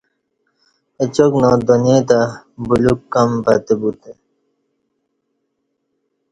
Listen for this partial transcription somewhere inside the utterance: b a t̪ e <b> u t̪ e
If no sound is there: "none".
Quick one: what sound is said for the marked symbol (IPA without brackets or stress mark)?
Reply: b